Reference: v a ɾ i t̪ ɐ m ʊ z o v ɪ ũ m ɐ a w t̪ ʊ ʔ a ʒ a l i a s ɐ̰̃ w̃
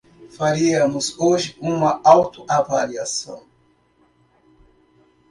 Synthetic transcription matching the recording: f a ɾ i ɐ m ʊ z o ʒ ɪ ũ m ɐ a w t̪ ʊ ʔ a v a l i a s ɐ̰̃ w̃